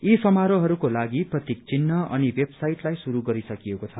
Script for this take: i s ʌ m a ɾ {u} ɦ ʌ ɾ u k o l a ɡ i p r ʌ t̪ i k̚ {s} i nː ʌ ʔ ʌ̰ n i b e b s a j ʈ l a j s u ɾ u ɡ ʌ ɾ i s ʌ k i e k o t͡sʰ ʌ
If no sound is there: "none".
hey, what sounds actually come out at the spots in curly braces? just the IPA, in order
o, t͡s

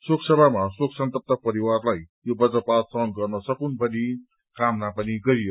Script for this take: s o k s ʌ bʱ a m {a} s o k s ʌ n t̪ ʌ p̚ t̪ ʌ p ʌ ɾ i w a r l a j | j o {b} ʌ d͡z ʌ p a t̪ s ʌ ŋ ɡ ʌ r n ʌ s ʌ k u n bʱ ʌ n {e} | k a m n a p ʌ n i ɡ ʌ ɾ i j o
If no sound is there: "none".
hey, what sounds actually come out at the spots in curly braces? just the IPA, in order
a, b, i

